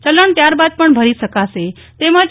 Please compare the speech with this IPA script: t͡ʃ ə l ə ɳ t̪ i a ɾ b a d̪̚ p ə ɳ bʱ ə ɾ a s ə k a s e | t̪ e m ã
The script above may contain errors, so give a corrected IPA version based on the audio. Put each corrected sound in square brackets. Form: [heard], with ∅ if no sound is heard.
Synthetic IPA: t͡ʃ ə l ə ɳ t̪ [j] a ɾ b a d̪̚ p ə ɳ bʱ ə ɾ [i] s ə k a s e | t̪ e m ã